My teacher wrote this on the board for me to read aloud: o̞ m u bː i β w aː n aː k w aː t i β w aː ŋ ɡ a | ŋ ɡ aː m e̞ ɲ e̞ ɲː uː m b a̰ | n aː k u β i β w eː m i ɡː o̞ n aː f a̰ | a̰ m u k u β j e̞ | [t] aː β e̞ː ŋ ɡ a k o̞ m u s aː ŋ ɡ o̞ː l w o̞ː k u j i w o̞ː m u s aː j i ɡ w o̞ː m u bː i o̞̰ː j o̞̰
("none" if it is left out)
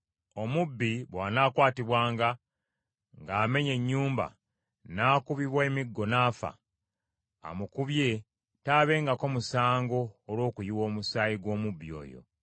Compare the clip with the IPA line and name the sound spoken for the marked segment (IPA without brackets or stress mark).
t